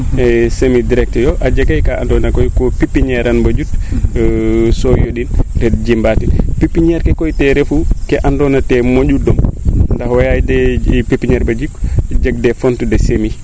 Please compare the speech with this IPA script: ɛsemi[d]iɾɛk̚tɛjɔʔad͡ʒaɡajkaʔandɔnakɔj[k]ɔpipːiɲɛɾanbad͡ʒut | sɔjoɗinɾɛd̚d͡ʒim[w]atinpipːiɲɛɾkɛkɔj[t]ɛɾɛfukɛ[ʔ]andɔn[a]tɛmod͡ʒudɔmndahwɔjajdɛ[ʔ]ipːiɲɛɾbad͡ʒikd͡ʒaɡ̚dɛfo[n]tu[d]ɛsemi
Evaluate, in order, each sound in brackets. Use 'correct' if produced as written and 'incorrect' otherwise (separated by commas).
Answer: correct, correct, incorrect, correct, correct, correct, incorrect, correct, correct